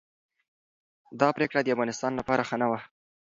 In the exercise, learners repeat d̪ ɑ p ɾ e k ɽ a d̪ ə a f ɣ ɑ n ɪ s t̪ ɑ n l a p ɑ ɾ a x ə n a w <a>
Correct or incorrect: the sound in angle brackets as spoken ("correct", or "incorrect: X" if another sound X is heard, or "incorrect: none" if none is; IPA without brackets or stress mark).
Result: correct